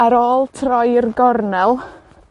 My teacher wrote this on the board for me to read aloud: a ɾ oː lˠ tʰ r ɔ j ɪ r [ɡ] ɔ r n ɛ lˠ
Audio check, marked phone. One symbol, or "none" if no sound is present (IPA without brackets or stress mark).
ɡ